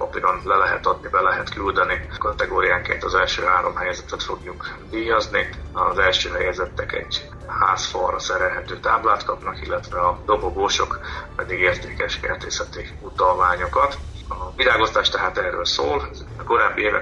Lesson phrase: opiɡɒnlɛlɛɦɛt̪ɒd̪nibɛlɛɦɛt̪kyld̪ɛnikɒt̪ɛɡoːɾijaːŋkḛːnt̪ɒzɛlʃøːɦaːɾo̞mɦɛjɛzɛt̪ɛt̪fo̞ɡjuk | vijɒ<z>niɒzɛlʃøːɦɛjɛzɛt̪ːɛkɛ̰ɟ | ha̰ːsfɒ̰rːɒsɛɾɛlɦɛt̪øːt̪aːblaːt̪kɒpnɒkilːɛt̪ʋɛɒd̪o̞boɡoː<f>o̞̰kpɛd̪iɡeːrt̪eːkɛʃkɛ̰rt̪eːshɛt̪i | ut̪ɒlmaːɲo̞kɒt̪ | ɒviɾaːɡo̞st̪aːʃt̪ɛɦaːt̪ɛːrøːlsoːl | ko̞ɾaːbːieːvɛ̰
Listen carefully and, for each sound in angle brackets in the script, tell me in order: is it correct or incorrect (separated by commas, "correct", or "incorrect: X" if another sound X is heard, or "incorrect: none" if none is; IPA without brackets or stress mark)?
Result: correct, incorrect: ʃ